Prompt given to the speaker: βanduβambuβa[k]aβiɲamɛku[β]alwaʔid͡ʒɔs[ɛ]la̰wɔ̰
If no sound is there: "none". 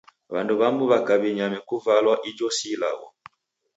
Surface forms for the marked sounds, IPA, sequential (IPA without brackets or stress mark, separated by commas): k, v, i